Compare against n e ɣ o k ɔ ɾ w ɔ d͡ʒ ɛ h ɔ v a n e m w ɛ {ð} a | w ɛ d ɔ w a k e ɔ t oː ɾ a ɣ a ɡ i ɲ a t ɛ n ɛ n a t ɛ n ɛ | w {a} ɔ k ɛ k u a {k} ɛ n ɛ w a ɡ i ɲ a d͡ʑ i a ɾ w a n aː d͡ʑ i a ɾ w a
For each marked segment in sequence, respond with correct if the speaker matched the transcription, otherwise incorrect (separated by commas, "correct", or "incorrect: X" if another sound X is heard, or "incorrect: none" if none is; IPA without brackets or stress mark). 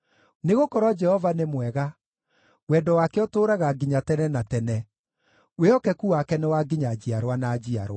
incorrect: ɣ, incorrect: e, correct